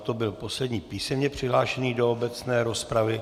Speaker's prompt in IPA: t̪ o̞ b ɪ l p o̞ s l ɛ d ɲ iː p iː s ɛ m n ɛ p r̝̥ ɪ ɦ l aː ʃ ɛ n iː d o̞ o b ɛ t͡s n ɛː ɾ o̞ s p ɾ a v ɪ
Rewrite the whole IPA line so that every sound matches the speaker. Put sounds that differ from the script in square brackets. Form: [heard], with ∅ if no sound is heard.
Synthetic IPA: t̪ o̞ b ɪ l p o̞ s l ɛ d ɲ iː p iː s ɛ m [ɲ] ɛ p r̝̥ ɪ ɦ l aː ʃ ɛ n iː d o̞ o b ɛ t͡s n ɛː ɾ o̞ s p ɾ a v ɪ